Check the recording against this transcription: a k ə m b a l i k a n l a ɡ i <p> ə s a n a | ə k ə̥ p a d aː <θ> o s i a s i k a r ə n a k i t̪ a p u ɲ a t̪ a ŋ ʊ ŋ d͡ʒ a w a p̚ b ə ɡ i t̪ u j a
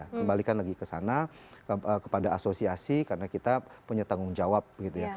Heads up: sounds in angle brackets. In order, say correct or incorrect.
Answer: incorrect: k, incorrect: s

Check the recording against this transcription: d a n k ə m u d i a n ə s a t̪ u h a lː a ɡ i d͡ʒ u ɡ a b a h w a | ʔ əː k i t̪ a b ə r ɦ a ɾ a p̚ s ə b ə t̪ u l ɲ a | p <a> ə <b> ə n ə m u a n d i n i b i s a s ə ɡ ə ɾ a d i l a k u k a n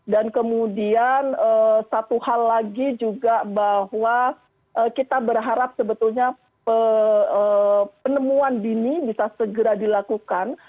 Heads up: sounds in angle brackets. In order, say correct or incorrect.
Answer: incorrect: ə, incorrect: p

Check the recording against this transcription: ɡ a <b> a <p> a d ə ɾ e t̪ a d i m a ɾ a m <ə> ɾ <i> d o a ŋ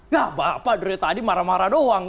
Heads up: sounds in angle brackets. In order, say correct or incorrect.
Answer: correct, correct, incorrect: a, incorrect: a

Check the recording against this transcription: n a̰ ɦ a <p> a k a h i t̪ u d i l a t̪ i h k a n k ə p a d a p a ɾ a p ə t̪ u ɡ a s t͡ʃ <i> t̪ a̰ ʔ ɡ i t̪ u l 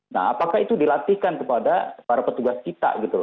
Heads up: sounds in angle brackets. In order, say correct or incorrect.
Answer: correct, correct

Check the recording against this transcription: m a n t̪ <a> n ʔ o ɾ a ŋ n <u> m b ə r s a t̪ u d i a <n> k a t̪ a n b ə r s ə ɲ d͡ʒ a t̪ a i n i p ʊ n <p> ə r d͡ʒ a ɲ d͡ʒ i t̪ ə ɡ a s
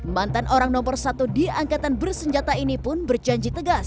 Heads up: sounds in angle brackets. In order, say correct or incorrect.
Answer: correct, incorrect: ɔ, incorrect: ŋ, incorrect: b

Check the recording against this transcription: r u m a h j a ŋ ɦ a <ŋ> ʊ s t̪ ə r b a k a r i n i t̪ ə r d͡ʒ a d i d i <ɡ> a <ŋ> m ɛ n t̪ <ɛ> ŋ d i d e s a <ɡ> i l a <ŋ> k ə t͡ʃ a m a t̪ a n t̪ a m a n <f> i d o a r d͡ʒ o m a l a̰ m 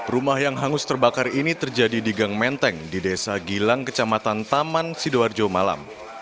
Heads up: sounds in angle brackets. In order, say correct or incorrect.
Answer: correct, correct, correct, correct, correct, correct, incorrect: s

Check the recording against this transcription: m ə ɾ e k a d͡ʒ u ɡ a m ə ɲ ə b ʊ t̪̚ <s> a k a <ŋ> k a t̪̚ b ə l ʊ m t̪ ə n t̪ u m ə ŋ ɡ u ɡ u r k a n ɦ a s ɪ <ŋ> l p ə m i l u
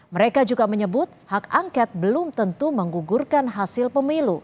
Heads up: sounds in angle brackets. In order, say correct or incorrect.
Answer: incorrect: h, correct, incorrect: none

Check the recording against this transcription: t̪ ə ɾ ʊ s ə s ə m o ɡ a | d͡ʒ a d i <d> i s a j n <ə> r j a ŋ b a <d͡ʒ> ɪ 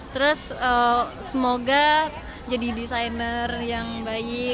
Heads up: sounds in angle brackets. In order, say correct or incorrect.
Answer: correct, correct, incorrect: none

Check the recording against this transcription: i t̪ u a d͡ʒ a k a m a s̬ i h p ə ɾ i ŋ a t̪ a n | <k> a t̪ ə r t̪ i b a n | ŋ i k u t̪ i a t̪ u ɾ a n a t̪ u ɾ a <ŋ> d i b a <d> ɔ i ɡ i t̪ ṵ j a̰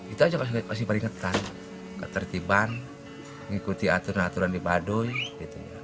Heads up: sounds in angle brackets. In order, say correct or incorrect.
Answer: correct, incorrect: n, correct

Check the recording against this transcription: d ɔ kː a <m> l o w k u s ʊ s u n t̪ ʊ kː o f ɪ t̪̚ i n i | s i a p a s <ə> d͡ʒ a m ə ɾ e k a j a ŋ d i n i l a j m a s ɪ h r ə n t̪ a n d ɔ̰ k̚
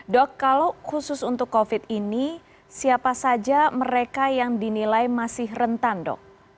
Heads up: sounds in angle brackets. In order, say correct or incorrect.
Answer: incorrect: none, incorrect: a

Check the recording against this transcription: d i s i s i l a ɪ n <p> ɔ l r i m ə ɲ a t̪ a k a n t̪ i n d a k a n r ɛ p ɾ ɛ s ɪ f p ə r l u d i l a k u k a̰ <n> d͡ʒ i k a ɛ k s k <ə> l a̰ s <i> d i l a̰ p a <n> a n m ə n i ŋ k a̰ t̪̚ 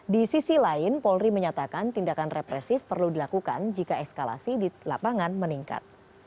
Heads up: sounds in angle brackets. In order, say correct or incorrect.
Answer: correct, correct, incorrect: a, correct, incorrect: ŋ

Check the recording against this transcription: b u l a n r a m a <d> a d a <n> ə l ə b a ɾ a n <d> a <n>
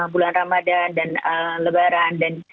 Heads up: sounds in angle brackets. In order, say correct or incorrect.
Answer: correct, correct, correct, correct

